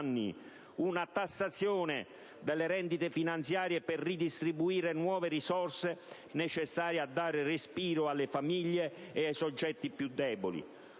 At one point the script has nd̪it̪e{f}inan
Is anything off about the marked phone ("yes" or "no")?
no